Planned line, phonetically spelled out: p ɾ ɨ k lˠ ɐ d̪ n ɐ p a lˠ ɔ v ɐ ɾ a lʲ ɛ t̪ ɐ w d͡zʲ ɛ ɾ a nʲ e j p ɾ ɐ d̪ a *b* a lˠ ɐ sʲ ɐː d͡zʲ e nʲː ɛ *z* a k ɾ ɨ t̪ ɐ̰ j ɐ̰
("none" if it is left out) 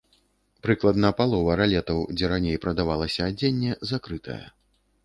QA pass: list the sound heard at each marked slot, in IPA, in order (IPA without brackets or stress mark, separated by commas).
v, z